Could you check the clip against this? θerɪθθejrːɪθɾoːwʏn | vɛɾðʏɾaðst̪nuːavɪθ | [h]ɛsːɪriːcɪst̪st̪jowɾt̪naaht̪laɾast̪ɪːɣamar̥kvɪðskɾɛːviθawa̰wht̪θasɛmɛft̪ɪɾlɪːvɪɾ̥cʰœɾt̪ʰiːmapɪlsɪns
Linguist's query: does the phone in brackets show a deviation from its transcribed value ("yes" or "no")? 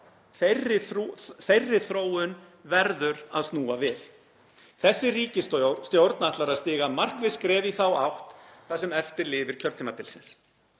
yes